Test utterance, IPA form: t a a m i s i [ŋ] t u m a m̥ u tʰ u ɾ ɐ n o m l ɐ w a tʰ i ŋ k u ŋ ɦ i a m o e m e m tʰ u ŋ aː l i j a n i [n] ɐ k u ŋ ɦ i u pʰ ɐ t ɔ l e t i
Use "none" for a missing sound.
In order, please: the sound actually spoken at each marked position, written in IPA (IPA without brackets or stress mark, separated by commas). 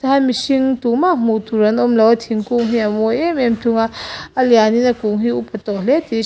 ŋ, n